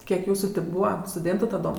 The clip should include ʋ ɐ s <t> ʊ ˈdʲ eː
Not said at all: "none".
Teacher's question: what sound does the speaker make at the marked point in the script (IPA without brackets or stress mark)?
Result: t